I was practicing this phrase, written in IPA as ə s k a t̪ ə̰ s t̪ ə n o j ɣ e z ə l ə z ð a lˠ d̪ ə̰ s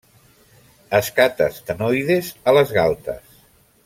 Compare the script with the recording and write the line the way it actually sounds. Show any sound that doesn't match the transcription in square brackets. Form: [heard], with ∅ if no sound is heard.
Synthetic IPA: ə s k a t̪ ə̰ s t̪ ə n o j [ð] e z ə l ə z [ɣ] a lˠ [t̪] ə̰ s

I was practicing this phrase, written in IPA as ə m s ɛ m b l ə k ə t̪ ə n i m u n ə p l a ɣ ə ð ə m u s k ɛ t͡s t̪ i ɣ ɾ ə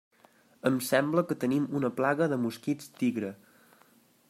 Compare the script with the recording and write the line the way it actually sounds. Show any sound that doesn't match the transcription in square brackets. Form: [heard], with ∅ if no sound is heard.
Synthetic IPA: ə m s ɛ m b l ə k ə t̪ ə n i m u n ə p l a ɣ ə ð ə m u s k [i] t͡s t̪ i ɣ ɾ ə

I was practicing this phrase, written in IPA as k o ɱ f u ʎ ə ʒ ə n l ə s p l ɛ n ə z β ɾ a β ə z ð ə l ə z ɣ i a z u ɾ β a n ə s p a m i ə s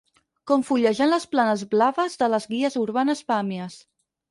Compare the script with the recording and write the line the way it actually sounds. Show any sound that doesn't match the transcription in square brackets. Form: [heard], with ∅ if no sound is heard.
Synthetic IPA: k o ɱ f u ʎ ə ʒ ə n l ə s p l [a] n ə z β [l] a β ə z ð ə l ə z ɣ i [ə] z u ɾ β a n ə s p a m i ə s

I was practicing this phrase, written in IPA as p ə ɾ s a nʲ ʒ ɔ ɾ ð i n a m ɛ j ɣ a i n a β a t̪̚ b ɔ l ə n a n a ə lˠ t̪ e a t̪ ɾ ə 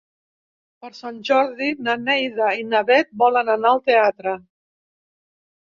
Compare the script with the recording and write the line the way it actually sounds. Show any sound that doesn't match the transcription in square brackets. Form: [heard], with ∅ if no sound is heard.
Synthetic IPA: p ə ɾ s a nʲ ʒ ɔ ɾ ð i n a [n] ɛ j [ð] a i n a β [ɛ] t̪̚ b ɔ l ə n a n a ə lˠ t̪ e a t̪ ɾ ə

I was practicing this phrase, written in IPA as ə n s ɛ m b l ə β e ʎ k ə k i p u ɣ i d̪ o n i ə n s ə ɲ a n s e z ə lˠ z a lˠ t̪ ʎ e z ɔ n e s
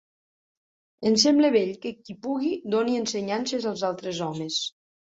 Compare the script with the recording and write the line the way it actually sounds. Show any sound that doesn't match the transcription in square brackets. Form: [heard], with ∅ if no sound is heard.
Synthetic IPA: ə n s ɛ m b l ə β e ʎ k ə k i p u ɣ i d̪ o n i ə n s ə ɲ a n s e z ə lˠ z a lˠ t̪ [ɾ] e z ɔ [m] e s

